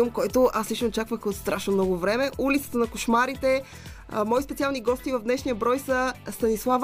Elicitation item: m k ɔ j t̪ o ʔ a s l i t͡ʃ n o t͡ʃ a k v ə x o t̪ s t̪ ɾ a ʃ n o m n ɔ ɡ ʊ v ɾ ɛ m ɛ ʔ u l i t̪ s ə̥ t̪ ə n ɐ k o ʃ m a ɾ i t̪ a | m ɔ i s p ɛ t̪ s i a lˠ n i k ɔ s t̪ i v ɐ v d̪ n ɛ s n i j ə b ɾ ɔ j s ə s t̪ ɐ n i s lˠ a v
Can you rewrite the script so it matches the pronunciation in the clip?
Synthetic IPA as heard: m k ɔ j t̪ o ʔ a s l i t͡ʃ n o t͡ʃ a k v ə x o t̪ s t̪ ɾ a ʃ n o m n ɔ ɡ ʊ v ɾ ɛ m ɛ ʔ u l i t̪ s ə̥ t̪ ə n ɐ k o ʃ m a ɾ i t̪ ɛ | m ɔ i s p ɛ t̪ s i a lˠ n i ɡ ɔ s t̪ i v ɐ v d̪ n ɛ ʃ n i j ə b ɾ ɔ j s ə s t̪ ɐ n i s lˠ a v